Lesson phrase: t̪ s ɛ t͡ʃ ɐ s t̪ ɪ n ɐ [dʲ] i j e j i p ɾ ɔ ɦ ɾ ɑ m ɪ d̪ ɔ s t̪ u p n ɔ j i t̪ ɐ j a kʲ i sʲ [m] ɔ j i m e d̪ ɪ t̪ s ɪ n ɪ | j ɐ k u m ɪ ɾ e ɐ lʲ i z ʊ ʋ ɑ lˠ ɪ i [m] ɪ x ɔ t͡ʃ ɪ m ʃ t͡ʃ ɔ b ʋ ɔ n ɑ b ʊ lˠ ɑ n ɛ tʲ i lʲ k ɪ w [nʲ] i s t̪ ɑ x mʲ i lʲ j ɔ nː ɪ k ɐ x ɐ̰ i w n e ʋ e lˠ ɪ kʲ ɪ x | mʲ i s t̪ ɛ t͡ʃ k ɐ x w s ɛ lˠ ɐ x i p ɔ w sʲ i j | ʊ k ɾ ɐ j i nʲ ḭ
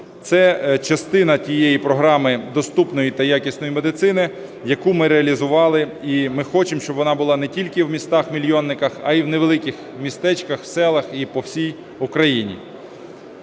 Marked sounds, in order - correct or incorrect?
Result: incorrect: tʲ, incorrect: n, correct, incorrect: mʲ

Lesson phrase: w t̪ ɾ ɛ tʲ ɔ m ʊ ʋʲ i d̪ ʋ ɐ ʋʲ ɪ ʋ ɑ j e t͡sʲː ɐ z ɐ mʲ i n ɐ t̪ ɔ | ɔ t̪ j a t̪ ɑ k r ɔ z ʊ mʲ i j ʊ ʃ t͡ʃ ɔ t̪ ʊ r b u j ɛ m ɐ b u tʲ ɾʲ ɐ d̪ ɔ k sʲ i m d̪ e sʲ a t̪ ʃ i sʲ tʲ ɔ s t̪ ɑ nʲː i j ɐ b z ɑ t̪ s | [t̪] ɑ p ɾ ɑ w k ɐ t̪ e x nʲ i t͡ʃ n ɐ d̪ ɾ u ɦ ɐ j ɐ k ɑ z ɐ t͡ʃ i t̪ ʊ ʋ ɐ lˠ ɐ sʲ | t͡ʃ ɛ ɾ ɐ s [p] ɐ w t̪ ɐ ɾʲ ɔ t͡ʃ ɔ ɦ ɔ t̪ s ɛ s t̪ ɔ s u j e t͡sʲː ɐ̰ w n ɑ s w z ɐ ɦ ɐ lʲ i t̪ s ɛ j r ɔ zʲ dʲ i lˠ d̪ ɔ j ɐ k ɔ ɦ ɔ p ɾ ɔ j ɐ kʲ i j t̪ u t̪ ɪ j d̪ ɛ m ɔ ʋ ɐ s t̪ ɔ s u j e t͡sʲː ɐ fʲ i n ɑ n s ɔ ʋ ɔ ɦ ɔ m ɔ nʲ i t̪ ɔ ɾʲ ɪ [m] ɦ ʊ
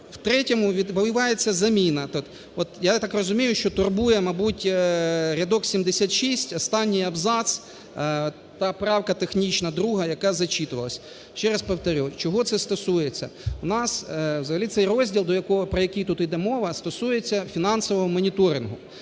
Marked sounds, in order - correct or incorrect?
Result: correct, correct, incorrect: n

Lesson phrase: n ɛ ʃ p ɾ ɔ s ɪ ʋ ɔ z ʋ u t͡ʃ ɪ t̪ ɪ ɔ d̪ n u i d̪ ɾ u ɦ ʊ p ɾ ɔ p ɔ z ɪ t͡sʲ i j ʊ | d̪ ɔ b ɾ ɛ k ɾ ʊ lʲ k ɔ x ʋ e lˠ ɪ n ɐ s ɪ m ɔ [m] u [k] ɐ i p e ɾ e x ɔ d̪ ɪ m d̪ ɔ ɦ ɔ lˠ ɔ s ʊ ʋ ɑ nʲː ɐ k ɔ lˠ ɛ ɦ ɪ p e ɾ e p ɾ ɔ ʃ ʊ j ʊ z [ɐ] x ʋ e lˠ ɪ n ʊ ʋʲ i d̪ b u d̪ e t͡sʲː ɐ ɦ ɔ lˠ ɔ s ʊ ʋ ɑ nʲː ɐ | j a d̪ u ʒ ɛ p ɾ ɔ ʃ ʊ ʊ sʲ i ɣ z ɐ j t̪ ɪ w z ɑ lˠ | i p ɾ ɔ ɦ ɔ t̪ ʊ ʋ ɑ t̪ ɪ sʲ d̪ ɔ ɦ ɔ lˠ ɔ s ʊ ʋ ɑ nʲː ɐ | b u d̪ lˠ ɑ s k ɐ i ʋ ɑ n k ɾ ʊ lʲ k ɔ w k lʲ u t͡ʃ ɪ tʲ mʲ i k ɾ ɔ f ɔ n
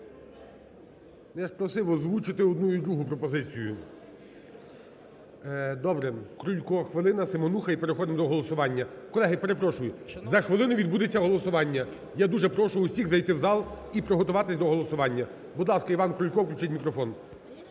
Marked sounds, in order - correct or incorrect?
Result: incorrect: n, incorrect: x, correct

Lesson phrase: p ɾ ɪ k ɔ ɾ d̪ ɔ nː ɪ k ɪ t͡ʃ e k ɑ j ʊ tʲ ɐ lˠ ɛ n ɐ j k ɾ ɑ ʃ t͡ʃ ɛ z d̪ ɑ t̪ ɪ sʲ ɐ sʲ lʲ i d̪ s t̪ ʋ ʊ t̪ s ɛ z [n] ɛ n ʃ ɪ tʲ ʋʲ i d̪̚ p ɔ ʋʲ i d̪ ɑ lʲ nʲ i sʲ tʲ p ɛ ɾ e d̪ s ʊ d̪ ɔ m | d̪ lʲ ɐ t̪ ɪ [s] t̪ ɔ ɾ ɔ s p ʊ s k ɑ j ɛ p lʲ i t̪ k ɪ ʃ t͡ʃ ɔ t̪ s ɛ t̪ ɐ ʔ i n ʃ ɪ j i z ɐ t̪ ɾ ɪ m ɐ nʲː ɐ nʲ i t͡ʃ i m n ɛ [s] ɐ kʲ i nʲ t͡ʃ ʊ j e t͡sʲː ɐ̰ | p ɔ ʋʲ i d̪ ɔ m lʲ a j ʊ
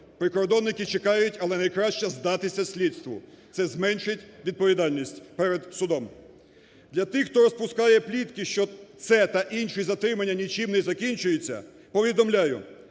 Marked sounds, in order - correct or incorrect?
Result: incorrect: m, incorrect: x, incorrect: z

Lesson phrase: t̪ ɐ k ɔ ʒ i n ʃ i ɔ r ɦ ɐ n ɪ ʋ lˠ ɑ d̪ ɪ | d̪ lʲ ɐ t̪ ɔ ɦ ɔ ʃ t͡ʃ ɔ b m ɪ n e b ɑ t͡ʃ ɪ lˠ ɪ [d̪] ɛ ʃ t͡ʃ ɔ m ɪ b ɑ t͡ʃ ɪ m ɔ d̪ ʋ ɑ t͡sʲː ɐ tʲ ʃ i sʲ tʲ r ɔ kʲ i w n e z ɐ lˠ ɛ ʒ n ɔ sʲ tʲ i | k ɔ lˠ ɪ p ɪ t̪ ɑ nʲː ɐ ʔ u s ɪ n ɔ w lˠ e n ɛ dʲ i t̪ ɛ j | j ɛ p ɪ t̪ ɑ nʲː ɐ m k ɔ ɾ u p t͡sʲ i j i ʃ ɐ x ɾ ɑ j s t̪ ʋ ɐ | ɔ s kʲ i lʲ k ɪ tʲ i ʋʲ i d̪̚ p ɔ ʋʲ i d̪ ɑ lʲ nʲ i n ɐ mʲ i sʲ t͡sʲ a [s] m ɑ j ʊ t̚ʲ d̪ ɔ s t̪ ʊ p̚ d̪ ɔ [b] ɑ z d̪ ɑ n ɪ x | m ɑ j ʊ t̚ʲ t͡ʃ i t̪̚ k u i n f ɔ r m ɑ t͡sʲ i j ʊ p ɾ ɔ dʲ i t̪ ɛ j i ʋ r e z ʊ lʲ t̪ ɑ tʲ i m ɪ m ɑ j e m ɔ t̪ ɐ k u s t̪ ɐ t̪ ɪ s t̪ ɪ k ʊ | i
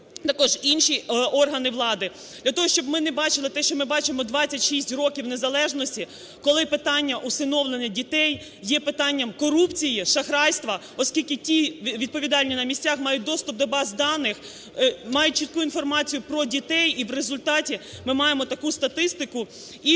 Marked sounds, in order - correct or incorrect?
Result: incorrect: t̪, incorrect: x, correct

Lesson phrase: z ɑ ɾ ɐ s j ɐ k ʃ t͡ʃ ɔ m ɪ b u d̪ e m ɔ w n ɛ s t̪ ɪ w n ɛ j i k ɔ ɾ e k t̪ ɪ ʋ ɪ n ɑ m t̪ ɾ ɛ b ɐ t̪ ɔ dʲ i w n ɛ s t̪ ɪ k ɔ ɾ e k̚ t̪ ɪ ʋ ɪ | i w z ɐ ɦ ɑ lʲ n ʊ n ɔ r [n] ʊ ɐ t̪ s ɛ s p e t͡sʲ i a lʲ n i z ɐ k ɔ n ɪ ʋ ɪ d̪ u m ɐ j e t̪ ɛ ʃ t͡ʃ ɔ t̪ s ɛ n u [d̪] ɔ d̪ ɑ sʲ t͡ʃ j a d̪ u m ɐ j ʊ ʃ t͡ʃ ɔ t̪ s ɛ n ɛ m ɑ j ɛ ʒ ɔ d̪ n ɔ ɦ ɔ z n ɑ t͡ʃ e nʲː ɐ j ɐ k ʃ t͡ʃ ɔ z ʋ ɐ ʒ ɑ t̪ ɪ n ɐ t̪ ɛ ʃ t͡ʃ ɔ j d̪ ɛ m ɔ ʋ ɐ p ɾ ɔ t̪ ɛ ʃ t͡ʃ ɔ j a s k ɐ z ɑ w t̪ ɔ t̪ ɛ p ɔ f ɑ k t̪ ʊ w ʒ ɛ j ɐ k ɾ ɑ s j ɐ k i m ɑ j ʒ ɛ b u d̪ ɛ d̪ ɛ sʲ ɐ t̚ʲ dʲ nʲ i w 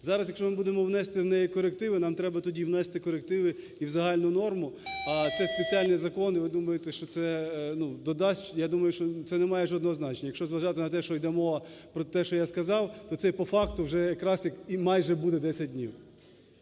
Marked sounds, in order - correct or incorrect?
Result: incorrect: m, correct

